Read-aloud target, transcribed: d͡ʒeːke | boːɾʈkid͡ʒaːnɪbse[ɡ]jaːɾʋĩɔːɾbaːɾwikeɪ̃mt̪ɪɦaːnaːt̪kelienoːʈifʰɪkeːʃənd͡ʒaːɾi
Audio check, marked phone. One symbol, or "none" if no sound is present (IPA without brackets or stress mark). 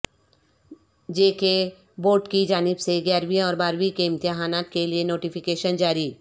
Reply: ɡ